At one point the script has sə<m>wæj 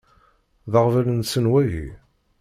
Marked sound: incorrect: n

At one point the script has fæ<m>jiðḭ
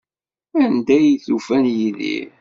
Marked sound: incorrect: n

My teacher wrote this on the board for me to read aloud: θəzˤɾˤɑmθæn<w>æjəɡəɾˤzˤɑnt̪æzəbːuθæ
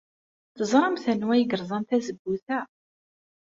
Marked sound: correct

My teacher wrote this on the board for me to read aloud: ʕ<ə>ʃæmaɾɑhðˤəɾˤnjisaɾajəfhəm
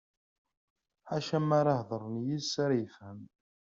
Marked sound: incorrect: a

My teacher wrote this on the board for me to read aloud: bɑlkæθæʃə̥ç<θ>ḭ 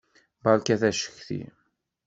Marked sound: correct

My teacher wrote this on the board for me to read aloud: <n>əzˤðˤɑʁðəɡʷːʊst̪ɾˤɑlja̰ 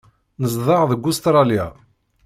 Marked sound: correct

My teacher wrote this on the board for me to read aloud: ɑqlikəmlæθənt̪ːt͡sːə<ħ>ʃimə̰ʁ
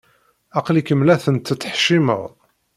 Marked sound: correct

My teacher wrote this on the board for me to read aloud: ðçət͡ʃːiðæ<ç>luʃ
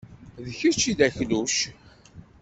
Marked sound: correct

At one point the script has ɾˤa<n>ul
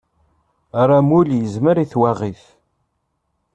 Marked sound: incorrect: m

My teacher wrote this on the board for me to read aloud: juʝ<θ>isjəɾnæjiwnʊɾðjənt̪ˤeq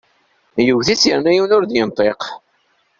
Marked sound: correct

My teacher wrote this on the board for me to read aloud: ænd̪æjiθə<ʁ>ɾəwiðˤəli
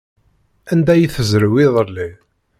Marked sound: incorrect: z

